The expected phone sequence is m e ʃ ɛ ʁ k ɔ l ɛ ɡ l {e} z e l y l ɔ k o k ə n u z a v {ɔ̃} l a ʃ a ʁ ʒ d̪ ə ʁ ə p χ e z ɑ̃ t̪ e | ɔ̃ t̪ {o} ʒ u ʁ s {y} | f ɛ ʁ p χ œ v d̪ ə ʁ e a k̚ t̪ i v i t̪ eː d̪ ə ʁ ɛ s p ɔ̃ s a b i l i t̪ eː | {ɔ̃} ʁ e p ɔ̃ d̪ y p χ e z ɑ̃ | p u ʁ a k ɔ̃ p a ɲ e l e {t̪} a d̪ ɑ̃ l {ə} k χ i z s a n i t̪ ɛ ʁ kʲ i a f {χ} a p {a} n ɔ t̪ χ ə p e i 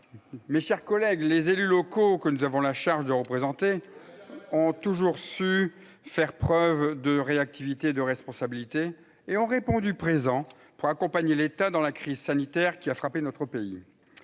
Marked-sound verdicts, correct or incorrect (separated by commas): correct, correct, incorrect, correct, correct, correct, incorrect, correct, incorrect